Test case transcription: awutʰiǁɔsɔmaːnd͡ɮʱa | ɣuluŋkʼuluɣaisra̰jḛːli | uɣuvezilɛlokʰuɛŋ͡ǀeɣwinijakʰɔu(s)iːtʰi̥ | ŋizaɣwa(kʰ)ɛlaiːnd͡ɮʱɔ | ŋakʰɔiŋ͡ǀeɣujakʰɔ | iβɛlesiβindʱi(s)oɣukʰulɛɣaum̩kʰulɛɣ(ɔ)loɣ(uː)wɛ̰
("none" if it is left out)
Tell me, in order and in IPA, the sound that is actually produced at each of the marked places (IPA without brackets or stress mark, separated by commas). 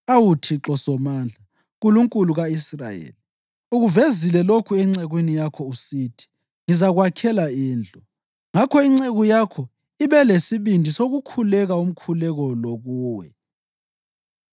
s, kʰ, s, ɔ, uː